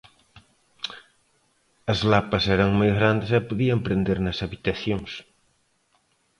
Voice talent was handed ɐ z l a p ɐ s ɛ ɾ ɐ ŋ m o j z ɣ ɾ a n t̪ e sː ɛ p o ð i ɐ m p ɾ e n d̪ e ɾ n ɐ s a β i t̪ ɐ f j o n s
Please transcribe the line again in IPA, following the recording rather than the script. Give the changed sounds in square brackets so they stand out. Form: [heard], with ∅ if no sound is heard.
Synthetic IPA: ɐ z l a p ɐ s ɛ ɾ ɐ ŋ m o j z ɣ ɾ a n [d̪] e [s] ɛ p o ð i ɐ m p ɾ e n d̪ e ɾ n ɐ s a β i t̪ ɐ [θ] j o [ŋ] s